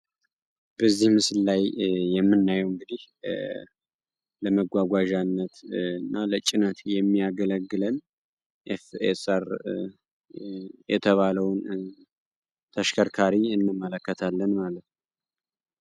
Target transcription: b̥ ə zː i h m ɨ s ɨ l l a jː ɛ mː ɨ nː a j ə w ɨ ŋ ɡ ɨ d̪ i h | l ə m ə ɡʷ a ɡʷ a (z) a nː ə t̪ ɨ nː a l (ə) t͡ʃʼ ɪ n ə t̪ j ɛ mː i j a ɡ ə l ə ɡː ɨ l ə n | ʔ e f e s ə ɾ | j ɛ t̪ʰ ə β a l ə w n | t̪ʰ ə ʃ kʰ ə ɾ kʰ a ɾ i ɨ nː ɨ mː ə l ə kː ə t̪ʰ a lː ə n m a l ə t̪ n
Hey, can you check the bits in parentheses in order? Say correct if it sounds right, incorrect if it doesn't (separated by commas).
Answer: incorrect, correct